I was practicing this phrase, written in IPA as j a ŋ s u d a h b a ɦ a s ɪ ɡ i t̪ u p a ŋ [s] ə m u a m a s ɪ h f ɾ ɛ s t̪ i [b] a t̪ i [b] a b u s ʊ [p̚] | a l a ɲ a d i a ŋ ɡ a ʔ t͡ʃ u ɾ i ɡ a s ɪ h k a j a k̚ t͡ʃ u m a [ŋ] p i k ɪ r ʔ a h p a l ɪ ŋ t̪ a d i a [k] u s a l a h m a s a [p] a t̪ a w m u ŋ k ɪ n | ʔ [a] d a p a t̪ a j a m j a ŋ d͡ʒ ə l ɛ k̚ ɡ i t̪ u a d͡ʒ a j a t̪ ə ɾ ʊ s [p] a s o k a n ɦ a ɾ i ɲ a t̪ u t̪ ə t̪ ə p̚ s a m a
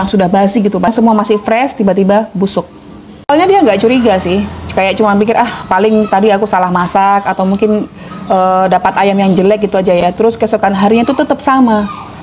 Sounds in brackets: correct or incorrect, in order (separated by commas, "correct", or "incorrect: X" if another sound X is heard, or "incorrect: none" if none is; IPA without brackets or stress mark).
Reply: correct, correct, correct, incorrect: k̚, incorrect: n, correct, incorrect: k, incorrect: ə, incorrect: k